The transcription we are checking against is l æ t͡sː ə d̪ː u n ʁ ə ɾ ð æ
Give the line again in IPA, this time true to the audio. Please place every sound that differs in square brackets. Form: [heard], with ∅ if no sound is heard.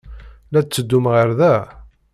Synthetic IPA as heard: l æ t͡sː ə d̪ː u [m] ʁ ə ɾ ð æ